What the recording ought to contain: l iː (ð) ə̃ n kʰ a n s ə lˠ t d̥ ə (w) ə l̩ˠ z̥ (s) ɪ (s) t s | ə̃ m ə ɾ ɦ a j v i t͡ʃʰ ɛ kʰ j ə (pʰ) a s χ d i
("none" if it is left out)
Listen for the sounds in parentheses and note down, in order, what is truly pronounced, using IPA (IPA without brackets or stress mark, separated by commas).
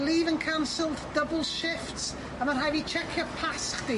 v, b, ʃ, f, pʰ